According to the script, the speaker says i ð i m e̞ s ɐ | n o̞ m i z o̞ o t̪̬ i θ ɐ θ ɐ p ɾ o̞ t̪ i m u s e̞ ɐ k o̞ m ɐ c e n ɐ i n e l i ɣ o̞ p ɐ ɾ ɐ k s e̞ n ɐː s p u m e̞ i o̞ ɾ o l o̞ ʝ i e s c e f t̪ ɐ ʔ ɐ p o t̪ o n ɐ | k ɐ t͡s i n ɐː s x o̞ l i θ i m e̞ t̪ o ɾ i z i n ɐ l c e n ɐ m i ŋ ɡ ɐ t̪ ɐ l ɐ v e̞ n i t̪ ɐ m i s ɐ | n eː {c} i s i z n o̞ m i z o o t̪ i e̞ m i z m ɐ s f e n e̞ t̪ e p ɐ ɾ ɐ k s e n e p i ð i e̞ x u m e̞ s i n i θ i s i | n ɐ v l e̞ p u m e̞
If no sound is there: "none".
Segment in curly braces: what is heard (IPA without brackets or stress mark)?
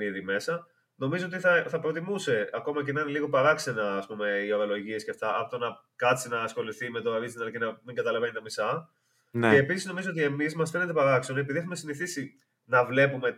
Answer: p